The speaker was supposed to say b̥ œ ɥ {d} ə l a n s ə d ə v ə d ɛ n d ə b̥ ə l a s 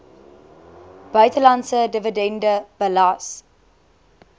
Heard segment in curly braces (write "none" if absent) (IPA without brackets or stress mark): t